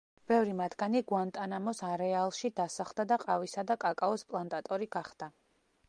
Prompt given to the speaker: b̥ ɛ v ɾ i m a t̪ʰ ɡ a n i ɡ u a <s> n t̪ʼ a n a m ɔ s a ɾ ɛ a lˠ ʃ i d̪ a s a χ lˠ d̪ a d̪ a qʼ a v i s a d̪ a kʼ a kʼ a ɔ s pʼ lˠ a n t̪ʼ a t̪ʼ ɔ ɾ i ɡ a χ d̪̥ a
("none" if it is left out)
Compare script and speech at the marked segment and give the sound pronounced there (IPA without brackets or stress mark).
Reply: none